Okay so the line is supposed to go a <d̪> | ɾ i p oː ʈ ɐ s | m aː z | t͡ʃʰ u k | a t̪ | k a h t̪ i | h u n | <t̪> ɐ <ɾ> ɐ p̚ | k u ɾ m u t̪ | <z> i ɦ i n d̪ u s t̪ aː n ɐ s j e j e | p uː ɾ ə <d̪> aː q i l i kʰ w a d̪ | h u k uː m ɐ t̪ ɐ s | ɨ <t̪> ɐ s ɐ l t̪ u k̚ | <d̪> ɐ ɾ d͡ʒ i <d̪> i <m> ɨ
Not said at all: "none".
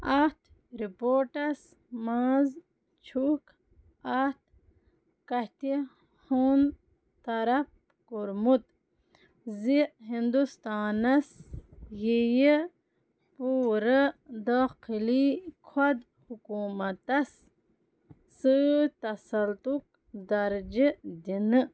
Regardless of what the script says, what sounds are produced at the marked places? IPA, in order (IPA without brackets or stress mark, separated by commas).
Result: t̪, t̪, ɾ, z, d̪, t̪, d̪, d̪, n